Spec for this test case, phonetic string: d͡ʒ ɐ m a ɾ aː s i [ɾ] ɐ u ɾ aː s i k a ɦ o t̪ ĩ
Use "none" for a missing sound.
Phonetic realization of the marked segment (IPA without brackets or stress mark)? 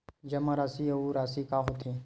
none